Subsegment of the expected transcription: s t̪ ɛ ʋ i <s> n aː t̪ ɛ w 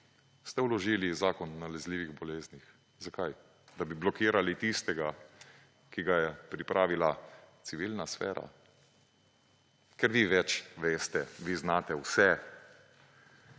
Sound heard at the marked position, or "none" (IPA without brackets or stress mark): z